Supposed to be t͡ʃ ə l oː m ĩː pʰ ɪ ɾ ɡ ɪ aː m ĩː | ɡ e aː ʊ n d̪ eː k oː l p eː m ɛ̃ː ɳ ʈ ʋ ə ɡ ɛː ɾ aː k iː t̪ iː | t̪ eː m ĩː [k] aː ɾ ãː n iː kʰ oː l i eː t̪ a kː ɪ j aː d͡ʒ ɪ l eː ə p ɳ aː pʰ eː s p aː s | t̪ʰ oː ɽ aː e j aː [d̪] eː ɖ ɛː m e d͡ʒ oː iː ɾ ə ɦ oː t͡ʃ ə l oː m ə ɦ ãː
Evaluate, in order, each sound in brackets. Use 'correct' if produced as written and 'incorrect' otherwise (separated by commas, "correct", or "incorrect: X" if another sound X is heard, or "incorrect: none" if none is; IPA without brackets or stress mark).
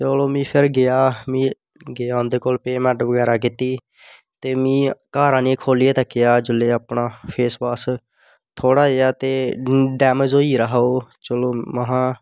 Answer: correct, incorrect: t̪